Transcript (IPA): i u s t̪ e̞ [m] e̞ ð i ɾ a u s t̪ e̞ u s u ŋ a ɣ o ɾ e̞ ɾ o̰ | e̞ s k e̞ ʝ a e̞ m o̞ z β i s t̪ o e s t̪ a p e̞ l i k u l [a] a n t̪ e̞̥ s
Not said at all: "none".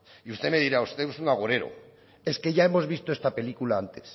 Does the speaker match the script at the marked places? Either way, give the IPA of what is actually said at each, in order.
m, a

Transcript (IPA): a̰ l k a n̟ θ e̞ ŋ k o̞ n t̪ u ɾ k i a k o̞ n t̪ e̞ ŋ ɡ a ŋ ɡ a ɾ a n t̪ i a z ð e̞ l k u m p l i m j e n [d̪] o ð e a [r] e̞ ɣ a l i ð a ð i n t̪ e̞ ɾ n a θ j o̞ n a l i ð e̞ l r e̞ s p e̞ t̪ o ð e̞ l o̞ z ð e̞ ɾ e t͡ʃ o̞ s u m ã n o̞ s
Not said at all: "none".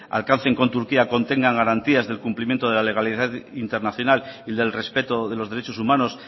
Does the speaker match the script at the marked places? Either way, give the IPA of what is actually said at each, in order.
t̪, l

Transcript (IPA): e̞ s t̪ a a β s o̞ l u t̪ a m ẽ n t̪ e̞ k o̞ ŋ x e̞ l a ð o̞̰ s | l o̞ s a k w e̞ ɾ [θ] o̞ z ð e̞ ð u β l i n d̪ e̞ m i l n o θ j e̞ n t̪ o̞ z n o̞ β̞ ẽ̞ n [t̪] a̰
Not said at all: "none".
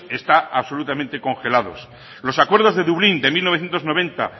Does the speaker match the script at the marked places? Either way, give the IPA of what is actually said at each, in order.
ð, t̪

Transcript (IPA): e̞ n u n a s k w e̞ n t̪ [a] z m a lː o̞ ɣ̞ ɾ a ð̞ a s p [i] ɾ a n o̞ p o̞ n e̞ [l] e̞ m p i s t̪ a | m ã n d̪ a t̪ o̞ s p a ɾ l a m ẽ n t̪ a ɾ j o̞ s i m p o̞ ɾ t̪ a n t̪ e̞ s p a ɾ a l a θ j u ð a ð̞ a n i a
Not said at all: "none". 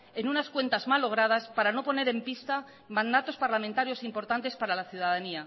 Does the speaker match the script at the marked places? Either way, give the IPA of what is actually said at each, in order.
a, a, ɾ

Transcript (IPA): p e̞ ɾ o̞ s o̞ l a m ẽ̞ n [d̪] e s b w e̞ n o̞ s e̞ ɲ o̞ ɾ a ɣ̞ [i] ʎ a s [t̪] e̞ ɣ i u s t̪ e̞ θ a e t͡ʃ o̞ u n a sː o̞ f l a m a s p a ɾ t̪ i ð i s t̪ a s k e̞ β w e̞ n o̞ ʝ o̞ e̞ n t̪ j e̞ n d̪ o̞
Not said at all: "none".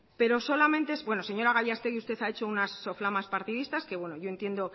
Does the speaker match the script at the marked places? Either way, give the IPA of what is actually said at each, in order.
t̪, a, t̪

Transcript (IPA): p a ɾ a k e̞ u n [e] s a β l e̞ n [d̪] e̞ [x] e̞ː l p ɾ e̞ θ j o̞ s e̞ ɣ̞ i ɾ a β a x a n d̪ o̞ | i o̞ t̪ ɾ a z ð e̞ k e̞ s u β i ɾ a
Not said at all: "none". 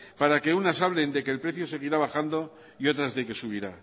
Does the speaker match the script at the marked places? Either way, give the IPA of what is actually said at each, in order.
a, d̪, k

